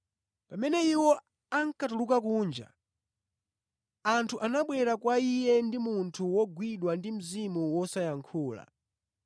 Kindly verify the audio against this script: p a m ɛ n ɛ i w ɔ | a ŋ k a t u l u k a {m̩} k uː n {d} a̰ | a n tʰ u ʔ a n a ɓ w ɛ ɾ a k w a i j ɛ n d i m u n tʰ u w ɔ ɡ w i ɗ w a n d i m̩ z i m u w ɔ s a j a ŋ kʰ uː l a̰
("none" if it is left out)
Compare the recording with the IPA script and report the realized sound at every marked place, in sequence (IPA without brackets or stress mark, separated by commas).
none, d͡ʒ